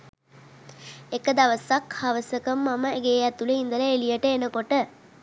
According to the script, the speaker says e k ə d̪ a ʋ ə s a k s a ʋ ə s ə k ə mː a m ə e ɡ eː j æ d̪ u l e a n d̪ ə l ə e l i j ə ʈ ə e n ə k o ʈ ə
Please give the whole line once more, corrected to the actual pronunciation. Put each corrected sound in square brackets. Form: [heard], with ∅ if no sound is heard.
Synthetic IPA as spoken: e k ə d̪ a ʋ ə s a k [h] a ʋ ə s ə k ə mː a m ə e ɡ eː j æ [t̪] u l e [i] n d̪ ə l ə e l i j ə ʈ ə e n ə k o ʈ ə